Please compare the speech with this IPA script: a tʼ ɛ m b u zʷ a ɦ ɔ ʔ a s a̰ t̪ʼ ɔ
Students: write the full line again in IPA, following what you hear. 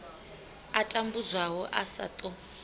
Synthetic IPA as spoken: a tʼ a m b u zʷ a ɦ ɔ ʔ a s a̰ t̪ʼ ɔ